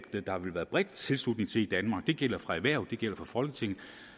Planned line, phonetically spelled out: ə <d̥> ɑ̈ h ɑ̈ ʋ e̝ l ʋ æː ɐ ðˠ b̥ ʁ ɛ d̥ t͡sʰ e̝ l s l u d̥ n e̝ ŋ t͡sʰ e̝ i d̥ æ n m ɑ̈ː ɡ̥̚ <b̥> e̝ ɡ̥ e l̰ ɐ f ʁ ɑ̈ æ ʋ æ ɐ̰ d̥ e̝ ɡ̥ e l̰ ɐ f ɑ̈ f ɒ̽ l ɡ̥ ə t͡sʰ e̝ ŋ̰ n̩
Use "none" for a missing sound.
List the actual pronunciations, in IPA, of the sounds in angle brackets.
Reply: d̥, d̥

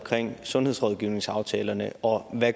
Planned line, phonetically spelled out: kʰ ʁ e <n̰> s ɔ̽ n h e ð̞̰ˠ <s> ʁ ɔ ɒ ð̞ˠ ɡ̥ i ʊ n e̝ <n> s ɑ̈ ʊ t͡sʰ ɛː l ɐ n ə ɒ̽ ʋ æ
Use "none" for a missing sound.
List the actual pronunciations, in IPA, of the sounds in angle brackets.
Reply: ŋ̰, s, ŋ

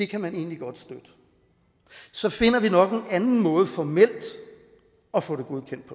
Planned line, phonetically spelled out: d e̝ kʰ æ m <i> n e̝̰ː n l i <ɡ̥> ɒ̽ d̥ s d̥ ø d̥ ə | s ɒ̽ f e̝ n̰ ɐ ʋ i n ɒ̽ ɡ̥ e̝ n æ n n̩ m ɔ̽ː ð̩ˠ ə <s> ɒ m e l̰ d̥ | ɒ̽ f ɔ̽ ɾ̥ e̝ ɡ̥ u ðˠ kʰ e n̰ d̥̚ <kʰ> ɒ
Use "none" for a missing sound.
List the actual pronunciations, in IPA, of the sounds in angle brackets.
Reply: æ, ɡ̥, f, pʰ

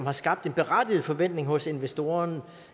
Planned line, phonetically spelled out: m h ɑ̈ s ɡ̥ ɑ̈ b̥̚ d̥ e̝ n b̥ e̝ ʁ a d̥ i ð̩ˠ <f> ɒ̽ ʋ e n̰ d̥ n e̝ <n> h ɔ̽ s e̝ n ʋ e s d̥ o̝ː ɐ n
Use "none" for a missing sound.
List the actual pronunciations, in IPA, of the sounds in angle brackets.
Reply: f, ŋ

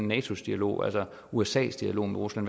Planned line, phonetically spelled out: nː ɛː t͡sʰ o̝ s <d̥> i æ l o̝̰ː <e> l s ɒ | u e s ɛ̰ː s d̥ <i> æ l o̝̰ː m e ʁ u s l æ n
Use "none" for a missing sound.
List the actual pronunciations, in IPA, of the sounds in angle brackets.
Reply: d̥, æ, i

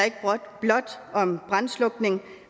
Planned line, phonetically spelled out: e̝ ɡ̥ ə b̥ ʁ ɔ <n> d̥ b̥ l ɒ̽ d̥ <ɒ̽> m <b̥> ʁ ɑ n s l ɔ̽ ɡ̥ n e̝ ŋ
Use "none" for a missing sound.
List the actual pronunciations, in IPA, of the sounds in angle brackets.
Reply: none, ɒ̽, b̥

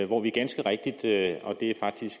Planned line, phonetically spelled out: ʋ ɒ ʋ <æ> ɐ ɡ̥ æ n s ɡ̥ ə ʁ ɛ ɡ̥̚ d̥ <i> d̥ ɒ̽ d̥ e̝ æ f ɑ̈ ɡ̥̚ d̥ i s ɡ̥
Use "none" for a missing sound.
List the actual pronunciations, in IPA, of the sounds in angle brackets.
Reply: i, i

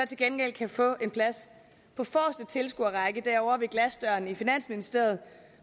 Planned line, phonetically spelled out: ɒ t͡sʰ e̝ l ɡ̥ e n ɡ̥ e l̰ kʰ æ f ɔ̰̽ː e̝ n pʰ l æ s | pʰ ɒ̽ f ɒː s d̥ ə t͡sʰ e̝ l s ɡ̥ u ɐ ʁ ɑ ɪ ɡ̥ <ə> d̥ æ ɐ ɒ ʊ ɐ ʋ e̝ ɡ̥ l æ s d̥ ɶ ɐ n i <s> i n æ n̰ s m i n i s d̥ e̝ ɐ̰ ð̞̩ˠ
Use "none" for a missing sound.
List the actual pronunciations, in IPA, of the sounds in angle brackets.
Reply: ə, f

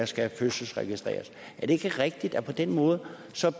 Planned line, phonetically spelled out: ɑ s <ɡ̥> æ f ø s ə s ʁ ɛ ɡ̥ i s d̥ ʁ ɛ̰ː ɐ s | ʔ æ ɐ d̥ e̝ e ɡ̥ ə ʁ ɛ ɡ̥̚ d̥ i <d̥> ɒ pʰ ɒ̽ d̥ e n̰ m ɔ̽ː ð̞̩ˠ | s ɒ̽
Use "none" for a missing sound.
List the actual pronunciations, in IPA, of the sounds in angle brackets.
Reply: ɡ̥, d̥

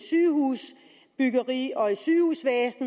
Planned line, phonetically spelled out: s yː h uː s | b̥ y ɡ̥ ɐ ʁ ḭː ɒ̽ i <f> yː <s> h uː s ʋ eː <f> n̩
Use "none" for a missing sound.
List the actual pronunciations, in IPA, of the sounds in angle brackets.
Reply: s, none, s

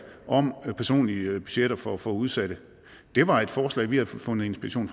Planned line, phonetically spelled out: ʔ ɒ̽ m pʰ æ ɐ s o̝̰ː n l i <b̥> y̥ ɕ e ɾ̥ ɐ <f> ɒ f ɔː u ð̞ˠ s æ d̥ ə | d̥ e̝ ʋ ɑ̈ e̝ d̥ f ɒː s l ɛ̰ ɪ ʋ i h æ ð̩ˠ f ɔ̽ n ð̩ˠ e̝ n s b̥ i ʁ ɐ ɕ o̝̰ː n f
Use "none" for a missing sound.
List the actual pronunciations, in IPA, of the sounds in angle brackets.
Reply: b̥, f

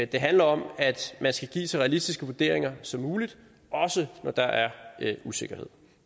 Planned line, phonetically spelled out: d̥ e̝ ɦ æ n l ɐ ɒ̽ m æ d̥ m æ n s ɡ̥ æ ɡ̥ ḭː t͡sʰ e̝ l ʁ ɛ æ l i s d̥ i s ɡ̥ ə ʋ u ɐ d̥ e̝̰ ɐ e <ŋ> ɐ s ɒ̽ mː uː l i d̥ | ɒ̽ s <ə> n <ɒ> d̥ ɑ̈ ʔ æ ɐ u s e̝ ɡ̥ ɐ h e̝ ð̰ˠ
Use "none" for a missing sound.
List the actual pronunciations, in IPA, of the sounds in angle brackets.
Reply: ŋ, ə, ɒ

